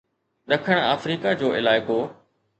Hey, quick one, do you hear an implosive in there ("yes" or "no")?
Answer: yes